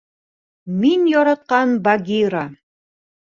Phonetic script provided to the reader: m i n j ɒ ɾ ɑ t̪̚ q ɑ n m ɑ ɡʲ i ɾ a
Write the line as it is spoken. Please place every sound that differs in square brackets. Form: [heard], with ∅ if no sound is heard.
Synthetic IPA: m i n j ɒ ɾ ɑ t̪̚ q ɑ n [b] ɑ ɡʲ i ɾ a